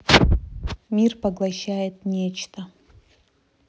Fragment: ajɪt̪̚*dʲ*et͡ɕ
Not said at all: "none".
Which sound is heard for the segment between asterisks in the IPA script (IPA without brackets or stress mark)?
nʲ